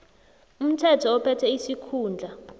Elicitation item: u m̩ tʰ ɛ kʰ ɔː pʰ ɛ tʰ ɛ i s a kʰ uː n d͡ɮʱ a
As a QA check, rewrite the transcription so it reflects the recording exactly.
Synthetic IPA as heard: u m̩ tʰ ɛ tʰ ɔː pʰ ɛ tʰ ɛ i s i kʰ uː n d͡ɮʱ a